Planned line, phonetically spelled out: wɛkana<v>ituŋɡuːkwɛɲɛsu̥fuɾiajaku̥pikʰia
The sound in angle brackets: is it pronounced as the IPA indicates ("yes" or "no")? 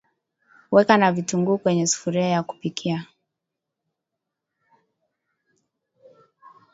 yes